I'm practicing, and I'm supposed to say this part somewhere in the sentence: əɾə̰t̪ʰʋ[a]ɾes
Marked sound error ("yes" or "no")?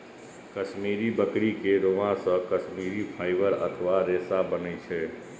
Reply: no